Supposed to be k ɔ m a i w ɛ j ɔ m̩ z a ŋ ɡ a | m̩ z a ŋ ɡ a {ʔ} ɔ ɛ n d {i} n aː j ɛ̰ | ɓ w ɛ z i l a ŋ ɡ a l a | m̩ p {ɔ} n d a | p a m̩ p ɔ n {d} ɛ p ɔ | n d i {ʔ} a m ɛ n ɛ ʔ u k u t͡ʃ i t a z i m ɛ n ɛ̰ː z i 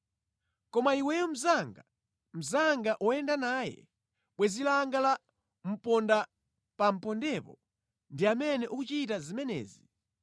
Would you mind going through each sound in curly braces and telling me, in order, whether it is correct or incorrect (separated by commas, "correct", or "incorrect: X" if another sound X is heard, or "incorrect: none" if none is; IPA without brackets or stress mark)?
correct, incorrect: a, correct, correct, incorrect: none